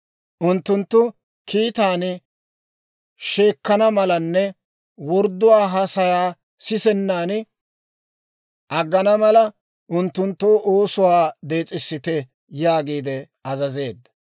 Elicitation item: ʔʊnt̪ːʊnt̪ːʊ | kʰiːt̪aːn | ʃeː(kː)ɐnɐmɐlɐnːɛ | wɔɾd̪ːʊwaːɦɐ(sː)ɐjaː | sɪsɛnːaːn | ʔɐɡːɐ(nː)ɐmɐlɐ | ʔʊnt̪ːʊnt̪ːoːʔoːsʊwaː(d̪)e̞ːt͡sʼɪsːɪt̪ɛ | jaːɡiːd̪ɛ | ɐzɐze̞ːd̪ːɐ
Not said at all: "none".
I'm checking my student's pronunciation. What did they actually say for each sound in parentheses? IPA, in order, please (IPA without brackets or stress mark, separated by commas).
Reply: kː, s, n, d̪